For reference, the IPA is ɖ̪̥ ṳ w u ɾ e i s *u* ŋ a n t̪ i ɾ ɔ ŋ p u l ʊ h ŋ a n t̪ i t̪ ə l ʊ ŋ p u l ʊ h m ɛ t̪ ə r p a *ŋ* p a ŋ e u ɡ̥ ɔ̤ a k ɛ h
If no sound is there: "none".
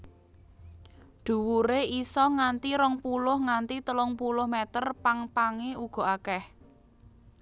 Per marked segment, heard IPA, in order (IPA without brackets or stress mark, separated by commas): ɔ, ŋ